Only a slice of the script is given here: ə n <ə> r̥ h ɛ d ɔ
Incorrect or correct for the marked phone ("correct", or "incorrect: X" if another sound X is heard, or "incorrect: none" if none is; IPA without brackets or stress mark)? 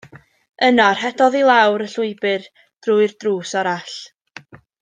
incorrect: a